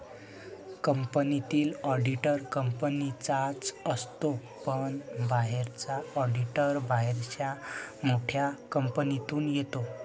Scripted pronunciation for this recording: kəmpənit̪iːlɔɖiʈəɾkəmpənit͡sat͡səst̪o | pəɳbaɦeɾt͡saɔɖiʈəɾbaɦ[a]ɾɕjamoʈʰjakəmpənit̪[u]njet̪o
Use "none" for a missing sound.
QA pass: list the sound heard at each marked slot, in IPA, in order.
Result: e, uː

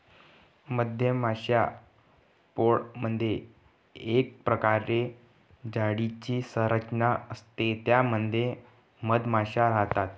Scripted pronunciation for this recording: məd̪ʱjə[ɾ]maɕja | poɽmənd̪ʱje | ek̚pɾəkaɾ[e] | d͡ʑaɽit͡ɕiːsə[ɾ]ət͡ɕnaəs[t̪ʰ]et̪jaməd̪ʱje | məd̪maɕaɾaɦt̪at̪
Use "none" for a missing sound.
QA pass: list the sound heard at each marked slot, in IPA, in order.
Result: none, e, ɾ, t̪

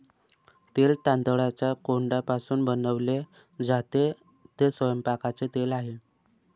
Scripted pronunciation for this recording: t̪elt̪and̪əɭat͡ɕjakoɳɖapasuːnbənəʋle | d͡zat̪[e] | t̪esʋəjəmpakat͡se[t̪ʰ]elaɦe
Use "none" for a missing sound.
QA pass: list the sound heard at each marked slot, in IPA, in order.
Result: e, t̪

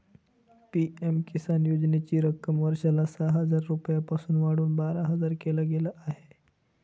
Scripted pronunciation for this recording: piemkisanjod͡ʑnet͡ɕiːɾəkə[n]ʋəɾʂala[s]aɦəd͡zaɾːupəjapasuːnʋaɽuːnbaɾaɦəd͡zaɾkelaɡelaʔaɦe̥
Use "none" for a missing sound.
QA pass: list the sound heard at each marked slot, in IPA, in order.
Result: m, s

